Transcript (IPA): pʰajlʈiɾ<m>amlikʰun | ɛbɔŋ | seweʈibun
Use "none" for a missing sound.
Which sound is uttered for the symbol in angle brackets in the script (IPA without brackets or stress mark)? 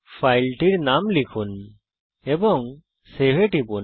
n